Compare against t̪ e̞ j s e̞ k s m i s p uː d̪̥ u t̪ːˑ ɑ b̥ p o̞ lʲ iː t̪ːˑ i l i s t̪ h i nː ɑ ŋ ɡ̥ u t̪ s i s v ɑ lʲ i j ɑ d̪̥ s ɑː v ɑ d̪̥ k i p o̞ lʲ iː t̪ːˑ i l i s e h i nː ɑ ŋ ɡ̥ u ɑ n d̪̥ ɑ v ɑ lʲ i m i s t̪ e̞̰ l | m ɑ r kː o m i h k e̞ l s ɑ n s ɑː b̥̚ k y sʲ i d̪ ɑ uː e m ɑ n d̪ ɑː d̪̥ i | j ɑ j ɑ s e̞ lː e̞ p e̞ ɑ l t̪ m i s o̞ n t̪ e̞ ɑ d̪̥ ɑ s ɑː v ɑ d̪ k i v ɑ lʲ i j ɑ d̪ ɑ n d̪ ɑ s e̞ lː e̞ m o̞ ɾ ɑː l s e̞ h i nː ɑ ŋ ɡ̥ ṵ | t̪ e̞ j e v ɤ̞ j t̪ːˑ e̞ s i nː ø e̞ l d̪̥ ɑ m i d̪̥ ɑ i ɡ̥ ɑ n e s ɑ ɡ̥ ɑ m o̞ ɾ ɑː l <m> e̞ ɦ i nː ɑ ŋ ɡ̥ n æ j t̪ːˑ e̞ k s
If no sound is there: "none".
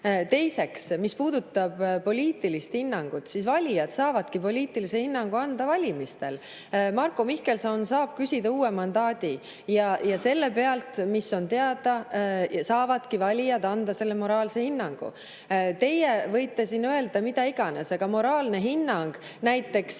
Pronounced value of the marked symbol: n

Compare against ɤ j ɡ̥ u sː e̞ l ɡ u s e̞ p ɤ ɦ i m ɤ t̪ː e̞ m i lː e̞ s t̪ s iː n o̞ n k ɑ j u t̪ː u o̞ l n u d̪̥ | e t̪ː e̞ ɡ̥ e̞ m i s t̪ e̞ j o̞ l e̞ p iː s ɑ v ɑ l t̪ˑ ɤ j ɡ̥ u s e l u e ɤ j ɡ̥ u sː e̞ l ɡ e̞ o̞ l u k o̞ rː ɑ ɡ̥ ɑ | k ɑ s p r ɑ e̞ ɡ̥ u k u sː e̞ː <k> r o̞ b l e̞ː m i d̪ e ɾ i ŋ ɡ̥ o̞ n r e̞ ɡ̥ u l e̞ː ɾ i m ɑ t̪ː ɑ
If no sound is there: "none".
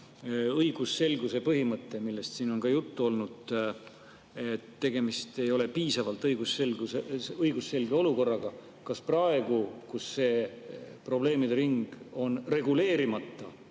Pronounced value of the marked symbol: p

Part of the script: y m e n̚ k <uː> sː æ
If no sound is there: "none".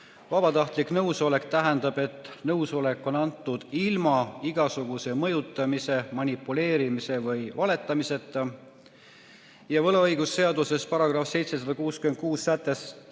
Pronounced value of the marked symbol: uː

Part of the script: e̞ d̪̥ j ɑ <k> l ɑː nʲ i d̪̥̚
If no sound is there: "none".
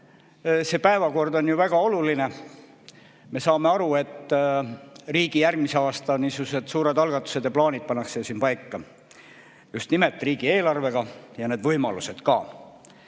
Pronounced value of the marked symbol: p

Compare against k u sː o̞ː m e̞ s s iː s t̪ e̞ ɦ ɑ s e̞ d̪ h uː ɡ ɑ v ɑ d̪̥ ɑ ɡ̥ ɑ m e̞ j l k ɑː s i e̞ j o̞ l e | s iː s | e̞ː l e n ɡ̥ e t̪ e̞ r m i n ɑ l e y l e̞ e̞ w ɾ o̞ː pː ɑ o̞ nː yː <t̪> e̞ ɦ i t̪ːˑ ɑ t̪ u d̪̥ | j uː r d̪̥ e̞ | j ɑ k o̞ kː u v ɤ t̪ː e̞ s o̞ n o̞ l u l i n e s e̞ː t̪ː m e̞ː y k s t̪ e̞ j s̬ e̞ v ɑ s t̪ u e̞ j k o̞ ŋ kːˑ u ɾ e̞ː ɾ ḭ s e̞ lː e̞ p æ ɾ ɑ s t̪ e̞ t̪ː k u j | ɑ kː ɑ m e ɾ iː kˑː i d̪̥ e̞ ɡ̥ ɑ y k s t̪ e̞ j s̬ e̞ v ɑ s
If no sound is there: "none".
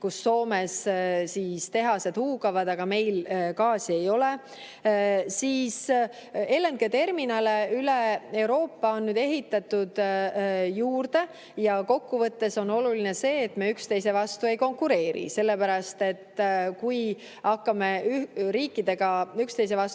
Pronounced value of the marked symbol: d̪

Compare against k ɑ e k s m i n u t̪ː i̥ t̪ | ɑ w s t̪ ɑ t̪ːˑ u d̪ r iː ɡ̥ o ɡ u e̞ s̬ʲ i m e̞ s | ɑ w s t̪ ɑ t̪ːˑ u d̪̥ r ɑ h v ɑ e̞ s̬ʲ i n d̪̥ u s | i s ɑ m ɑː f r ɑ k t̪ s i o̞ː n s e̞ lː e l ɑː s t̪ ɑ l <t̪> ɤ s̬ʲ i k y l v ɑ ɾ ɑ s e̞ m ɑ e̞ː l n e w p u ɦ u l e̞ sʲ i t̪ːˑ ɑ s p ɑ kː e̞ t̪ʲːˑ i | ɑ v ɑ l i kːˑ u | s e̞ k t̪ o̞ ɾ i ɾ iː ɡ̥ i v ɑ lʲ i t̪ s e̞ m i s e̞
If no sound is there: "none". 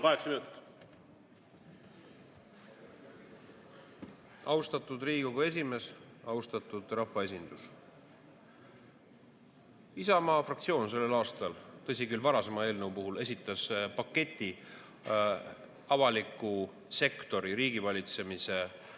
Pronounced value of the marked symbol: t̪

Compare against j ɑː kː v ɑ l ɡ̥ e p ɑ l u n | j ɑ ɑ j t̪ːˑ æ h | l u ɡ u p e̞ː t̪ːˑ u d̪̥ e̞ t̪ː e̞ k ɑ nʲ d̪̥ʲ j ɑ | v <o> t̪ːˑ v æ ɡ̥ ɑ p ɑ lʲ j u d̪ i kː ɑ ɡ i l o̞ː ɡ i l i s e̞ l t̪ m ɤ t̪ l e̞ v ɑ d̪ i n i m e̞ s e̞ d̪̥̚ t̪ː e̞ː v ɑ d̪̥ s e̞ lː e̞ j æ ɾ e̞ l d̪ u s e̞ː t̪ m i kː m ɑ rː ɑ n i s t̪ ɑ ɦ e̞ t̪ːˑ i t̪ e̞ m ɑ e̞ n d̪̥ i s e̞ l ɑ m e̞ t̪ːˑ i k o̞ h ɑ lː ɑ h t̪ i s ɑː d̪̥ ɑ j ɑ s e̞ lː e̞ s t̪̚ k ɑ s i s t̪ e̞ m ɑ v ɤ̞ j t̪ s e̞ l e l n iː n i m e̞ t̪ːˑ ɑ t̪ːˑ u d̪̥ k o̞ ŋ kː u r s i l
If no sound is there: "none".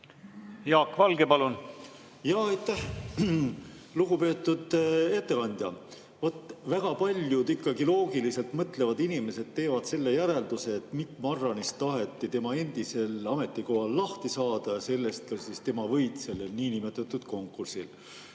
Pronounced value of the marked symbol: o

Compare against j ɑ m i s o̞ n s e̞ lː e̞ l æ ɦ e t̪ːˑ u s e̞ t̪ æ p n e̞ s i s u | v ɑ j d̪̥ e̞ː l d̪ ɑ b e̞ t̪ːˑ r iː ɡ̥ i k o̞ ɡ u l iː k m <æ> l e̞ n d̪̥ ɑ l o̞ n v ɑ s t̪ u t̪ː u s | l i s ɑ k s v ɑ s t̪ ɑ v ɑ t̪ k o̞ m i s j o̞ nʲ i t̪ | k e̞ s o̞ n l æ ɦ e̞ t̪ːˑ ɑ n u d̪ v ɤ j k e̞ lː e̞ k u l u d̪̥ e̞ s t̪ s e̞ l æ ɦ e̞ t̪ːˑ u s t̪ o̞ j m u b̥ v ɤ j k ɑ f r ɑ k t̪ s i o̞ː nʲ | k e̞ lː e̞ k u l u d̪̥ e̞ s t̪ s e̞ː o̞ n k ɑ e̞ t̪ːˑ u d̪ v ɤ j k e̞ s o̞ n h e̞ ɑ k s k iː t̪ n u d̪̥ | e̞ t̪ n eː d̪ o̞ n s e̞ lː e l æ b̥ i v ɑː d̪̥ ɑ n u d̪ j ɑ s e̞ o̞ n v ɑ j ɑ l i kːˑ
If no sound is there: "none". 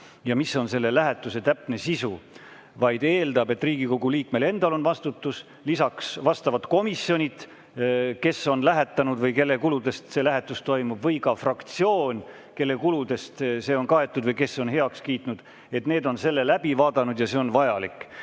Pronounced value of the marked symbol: e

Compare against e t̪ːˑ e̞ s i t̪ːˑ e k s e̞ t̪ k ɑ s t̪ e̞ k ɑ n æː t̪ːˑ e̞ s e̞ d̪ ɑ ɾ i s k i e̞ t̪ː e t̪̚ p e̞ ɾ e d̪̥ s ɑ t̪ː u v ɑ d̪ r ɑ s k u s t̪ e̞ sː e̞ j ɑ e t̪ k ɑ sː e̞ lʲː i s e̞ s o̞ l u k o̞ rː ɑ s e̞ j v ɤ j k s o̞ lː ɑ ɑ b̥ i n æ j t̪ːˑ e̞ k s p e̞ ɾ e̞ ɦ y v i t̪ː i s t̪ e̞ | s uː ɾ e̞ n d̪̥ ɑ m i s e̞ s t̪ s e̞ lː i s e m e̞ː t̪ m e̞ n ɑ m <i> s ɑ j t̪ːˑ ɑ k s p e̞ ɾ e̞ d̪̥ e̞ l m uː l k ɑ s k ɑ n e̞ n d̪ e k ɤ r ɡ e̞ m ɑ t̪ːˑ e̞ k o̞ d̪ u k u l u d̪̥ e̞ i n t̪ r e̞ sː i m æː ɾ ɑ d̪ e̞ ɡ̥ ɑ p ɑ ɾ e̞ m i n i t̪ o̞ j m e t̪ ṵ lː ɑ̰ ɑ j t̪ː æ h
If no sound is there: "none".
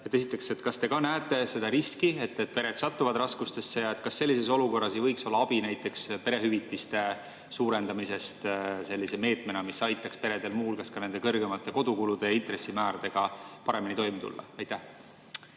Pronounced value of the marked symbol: i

